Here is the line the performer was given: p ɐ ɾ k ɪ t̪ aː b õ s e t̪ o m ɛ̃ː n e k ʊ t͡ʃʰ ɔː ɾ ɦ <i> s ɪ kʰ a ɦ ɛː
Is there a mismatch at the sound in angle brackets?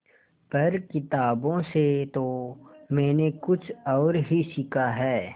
no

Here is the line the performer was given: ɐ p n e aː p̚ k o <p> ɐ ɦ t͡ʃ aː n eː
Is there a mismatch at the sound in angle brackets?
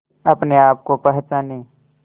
no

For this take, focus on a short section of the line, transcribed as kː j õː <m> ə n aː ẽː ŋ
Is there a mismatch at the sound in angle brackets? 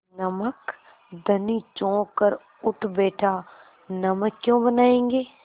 yes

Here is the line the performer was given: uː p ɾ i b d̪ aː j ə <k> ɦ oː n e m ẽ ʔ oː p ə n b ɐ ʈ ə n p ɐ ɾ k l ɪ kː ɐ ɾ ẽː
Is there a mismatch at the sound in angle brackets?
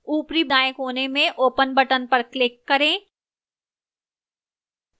no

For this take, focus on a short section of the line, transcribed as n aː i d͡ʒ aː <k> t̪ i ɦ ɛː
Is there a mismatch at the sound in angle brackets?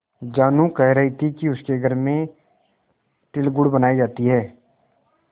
yes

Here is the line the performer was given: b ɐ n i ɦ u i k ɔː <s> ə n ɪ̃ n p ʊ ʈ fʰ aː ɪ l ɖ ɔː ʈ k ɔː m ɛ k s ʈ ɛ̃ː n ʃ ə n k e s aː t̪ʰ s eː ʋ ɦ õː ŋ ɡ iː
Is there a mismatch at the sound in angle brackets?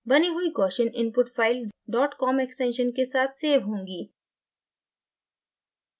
yes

